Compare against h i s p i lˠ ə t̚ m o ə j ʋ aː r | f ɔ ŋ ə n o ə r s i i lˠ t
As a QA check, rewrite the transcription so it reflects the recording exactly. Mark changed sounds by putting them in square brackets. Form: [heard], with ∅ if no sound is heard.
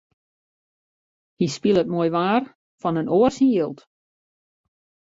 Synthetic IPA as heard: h i s p i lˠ ə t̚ m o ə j ʋ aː r | f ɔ [n] ə n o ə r s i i lˠ t